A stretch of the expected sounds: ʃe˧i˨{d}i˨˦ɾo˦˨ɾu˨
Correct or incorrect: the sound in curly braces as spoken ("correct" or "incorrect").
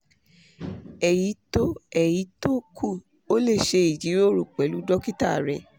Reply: incorrect